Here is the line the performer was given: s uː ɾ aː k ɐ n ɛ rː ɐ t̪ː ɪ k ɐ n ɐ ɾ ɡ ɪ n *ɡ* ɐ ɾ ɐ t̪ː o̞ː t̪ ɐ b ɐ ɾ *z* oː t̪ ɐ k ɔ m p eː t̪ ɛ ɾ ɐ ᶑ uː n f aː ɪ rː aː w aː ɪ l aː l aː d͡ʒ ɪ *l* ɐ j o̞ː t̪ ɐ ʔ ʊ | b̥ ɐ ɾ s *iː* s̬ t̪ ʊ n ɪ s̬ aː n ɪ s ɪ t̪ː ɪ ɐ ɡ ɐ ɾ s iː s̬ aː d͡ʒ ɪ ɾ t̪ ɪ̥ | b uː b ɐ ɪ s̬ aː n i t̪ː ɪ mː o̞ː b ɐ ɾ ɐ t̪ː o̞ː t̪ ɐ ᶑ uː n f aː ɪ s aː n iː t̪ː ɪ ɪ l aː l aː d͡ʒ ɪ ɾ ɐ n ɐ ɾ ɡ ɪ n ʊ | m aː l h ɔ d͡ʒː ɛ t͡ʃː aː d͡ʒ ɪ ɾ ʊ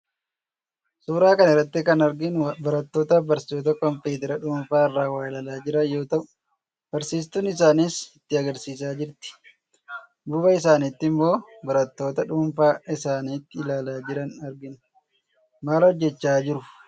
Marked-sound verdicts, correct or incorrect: incorrect: b, incorrect: s, incorrect: ɾ, correct

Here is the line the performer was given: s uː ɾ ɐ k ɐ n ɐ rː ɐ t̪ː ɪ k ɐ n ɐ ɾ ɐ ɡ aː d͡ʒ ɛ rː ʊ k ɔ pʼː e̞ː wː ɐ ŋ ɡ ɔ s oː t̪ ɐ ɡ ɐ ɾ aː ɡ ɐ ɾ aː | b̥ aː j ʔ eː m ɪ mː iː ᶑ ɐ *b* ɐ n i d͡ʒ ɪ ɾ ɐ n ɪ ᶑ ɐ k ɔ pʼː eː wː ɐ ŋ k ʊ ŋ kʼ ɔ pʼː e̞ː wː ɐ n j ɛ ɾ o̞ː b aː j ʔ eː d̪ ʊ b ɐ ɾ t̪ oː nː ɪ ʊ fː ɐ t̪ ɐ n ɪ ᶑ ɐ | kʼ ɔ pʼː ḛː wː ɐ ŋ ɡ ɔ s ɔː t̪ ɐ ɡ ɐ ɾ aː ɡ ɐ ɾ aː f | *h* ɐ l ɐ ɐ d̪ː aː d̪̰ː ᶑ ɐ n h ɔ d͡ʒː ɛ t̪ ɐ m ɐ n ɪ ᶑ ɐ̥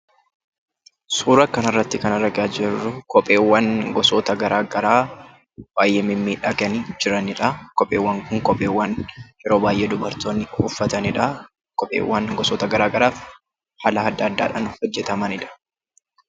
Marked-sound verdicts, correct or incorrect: incorrect: ɡ, correct

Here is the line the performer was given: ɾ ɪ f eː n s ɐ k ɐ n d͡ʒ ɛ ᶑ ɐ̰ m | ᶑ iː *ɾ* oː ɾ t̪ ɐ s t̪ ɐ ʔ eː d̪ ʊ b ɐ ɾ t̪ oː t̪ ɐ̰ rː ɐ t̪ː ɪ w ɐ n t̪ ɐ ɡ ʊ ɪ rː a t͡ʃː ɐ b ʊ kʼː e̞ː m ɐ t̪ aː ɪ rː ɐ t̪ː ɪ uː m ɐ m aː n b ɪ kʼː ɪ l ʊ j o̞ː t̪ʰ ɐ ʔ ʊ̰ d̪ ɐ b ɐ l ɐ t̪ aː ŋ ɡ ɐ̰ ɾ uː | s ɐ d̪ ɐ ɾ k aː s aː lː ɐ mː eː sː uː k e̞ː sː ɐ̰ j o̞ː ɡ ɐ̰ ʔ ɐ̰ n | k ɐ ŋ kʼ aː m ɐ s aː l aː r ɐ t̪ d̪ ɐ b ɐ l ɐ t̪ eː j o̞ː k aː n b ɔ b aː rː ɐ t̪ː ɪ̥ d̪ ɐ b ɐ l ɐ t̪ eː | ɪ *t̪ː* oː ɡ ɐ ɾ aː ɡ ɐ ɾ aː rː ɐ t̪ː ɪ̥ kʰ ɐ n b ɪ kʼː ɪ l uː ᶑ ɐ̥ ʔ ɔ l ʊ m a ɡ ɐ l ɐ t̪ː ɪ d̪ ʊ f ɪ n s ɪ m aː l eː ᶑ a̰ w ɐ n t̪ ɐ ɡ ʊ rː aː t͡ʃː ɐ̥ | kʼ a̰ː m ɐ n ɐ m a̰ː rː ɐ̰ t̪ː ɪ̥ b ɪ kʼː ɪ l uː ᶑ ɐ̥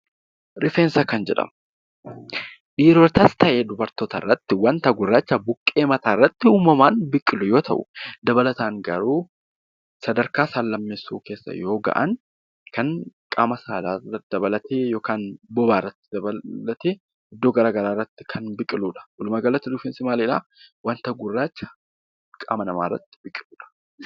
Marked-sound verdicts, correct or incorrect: correct, incorrect: d̪ː

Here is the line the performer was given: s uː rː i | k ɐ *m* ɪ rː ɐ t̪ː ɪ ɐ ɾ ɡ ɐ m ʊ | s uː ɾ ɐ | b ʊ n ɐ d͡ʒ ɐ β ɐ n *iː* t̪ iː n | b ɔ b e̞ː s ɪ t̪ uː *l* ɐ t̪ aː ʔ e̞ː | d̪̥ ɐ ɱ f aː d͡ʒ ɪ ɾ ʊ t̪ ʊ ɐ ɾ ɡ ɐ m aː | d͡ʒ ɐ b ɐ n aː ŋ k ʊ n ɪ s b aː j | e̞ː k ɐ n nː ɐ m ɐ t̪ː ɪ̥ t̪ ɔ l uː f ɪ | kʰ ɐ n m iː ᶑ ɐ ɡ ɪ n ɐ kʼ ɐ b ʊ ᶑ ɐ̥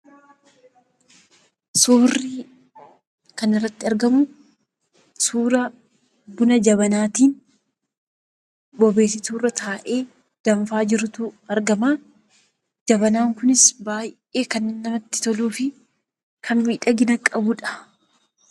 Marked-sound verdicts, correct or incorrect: incorrect: n, incorrect: aː, incorrect: r

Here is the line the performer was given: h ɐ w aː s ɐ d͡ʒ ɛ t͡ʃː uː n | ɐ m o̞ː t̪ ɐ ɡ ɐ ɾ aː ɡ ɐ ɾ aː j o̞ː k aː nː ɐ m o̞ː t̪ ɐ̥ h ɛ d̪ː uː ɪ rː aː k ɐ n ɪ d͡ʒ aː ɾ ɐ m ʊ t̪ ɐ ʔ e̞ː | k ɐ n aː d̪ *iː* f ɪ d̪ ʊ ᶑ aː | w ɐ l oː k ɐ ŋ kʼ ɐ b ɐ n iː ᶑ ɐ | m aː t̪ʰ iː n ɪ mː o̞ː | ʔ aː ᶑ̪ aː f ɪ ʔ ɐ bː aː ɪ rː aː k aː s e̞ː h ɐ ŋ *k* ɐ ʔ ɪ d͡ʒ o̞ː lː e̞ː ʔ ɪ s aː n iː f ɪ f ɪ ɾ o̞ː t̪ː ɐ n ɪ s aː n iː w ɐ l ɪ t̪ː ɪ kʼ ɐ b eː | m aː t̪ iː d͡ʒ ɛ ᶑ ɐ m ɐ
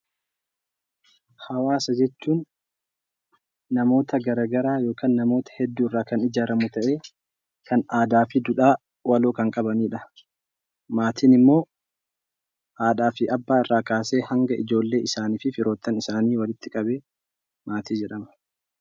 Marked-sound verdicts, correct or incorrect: incorrect: aː, incorrect: ɡ

